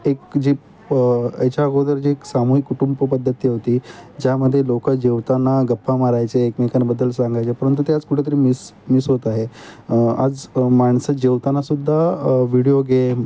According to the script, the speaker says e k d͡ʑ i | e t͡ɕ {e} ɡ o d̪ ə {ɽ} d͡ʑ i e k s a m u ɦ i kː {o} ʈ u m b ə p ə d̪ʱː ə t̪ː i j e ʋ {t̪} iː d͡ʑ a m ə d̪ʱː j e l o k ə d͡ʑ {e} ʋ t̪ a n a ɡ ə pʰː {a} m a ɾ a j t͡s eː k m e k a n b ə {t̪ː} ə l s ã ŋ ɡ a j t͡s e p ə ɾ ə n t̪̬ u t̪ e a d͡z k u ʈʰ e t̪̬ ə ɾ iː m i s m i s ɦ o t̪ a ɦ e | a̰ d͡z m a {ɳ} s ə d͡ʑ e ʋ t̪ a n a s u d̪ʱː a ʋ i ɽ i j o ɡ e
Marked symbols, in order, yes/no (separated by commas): no, no, no, yes, yes, yes, no, yes